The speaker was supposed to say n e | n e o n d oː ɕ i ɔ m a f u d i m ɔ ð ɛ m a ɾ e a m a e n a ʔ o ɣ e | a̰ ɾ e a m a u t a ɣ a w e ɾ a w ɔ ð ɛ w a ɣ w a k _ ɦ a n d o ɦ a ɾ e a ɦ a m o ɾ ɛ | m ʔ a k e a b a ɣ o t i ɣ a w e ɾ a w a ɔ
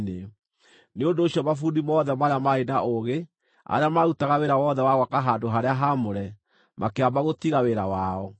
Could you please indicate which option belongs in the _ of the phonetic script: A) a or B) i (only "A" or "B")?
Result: A